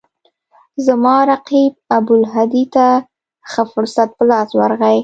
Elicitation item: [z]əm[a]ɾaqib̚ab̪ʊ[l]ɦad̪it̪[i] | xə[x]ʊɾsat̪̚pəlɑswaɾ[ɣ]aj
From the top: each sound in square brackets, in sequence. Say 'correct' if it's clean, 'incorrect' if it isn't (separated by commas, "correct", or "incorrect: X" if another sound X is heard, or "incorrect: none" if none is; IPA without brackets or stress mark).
correct, incorrect: ɑ, correct, incorrect: a, incorrect: f, correct